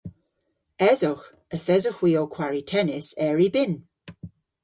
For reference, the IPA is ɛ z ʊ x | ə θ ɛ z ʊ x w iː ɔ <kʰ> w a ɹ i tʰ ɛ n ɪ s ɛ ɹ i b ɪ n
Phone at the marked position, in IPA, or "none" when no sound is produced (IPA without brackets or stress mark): kʰ